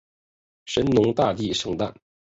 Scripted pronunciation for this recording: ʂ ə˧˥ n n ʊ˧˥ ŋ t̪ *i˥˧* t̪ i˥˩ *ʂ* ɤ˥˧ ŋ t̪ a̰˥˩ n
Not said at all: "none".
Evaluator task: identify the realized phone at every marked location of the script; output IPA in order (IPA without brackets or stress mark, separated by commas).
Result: a˥˧, ʂ